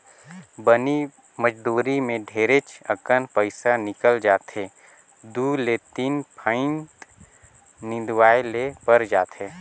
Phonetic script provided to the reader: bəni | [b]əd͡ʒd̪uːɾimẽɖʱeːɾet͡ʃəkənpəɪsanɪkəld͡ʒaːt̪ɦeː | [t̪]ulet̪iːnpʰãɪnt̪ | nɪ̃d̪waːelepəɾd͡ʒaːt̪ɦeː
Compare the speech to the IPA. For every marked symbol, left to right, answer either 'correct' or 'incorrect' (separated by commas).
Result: incorrect, incorrect